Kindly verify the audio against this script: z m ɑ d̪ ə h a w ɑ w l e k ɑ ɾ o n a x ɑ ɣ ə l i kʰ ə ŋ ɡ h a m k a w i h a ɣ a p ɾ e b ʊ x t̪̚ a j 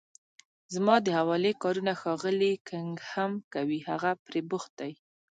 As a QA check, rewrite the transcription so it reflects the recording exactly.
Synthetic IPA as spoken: z m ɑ d̪ ə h a w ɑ l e k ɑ ɾ u n a x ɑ ɣ ə l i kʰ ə ŋ ɡ h a m k a w i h a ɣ a p ɾ e b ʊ x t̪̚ a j